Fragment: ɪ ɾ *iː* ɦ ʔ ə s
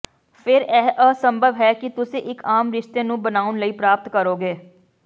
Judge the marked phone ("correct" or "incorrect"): incorrect